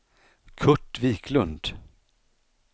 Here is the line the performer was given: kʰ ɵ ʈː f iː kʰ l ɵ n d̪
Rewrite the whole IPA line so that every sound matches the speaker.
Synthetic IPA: kʰ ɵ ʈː v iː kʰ l ɵ n d̪